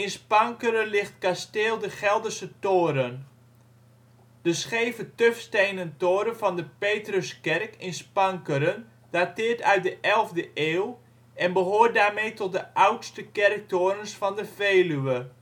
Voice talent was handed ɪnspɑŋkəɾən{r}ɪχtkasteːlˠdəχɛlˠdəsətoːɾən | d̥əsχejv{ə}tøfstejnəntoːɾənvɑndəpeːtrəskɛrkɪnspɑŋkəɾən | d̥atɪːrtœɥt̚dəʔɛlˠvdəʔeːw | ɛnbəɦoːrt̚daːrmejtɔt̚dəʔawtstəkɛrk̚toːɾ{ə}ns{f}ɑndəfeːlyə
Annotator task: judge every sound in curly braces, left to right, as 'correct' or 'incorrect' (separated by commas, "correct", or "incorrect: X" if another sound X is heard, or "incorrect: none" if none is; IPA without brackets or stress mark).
incorrect: l, correct, correct, correct